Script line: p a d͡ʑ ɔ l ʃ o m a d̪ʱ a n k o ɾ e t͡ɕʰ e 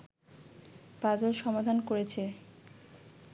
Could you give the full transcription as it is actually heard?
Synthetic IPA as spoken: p a d͡ʑ o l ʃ ɔ m a d̪ʱ a n k o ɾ e t͡ɕʰ e